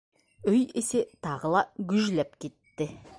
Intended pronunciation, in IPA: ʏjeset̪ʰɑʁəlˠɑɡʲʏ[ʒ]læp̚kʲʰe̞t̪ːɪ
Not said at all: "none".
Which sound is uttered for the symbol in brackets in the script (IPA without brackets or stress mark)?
ʒ